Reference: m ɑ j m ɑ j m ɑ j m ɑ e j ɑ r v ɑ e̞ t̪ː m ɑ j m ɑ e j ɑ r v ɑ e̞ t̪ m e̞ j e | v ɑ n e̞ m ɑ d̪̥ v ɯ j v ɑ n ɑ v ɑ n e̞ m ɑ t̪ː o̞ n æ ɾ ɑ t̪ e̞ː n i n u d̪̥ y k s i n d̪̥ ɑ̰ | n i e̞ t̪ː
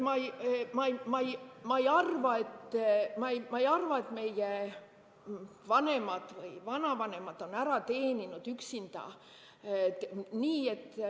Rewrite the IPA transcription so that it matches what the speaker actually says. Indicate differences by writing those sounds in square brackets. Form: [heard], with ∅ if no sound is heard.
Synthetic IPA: m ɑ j m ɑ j m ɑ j m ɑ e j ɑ r v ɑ e̞ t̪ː m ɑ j m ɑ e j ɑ r v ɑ e̞ t̪ m e̞ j e | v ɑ n e̞ m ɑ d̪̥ v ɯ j v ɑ n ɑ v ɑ n e̞ m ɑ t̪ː o̞ n æ ɾ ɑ t̪ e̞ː n i n u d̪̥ y k s i n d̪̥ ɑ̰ | n [iː] e̞ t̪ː